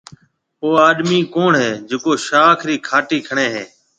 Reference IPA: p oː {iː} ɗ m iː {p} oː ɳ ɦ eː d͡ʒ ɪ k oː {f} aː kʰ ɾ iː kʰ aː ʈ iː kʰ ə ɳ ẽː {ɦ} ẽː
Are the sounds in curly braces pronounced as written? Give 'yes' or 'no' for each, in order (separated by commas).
no, no, no, yes